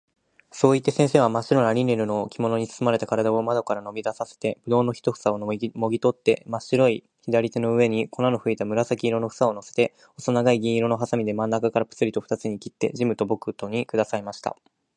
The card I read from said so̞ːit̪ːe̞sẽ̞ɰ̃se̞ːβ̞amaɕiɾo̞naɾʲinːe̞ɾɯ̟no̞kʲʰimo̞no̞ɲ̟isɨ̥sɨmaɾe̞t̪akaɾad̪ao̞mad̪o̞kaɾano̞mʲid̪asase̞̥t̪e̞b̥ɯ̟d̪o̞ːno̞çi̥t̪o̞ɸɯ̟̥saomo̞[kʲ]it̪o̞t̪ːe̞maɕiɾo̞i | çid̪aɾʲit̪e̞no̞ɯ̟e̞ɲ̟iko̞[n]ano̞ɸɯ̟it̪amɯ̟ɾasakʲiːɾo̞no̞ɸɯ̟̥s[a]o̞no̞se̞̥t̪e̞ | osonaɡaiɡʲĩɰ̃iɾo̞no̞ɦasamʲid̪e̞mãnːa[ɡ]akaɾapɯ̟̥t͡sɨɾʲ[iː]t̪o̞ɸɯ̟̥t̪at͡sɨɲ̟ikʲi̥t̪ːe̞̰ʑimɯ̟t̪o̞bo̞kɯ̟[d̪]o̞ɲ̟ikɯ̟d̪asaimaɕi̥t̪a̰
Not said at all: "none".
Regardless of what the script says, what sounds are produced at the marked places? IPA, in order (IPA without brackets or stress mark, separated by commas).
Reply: ɡʲ, n, a, k, i, t̪